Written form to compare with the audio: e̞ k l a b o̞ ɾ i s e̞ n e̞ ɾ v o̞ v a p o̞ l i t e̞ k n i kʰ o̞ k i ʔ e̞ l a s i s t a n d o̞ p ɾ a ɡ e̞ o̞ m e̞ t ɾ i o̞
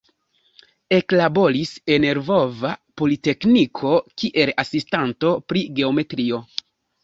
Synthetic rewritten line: e̞ k l a b o̞ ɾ i s e̞ n e̞ ɾ v o̞ v a p o̞ l i t e̞ k n i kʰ o̞ k i ʔ e̞ l a s i s t a n t o̞ p ɾ i ɡ e̞ o̞ m e̞ t ɾ i o̞